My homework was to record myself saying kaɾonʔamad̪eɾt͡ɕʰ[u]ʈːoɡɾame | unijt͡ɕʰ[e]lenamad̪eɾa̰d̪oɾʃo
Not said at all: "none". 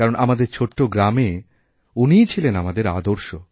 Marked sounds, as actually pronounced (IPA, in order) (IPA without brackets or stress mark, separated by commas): o, i